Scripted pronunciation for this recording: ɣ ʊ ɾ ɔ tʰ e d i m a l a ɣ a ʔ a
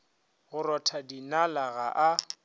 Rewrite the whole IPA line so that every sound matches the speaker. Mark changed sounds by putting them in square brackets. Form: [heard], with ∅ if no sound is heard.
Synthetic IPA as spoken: ɣ ʊ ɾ ɔ tʰ [a] d i [n] a l a ɣ a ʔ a